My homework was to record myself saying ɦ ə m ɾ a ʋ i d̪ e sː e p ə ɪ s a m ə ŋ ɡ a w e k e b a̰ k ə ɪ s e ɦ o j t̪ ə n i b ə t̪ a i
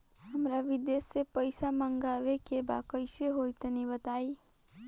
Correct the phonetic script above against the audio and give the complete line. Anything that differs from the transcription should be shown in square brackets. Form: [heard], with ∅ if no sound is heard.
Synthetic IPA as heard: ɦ ə m ɾ a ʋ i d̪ e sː e p ə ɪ s a m ə ŋ ɡ a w e k e b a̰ k ə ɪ s e ɦ o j t̪ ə n i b ə t̪ a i